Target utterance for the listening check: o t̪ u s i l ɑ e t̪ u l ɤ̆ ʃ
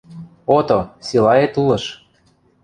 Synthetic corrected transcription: o t̪ o s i l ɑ e t̪ u l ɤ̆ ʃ